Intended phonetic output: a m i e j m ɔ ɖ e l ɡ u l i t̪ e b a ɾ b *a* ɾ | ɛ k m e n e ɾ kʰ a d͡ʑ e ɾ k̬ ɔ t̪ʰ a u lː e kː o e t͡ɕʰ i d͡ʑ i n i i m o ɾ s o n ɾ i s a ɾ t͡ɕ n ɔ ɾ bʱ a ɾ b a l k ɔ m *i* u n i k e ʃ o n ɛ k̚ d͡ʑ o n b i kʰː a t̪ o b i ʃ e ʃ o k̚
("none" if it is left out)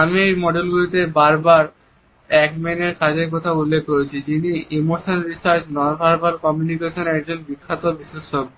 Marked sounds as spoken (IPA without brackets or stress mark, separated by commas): a, j